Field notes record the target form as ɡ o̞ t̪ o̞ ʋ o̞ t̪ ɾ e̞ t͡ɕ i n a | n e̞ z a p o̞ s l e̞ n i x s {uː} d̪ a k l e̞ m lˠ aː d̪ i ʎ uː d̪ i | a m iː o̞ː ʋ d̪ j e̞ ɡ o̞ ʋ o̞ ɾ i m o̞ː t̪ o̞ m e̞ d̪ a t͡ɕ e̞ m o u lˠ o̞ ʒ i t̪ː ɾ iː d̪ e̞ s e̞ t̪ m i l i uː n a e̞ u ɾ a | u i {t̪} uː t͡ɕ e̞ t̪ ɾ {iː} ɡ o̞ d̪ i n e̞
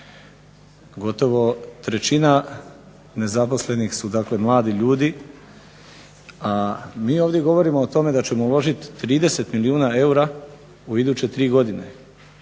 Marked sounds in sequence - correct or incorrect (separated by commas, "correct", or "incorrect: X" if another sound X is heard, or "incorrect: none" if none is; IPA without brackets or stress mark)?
incorrect: u, incorrect: d̪, correct